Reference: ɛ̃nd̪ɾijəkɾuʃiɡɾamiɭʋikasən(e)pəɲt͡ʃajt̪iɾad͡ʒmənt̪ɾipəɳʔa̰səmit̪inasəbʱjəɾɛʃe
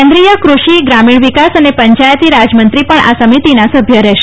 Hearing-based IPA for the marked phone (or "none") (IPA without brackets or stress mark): e